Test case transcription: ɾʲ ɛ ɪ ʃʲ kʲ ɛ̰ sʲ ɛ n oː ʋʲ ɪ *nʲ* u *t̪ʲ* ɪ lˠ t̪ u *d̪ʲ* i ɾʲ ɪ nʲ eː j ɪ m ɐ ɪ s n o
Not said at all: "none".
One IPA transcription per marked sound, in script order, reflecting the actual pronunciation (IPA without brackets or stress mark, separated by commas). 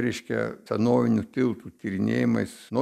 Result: nʲ, t̪ʲ, t̪ʲ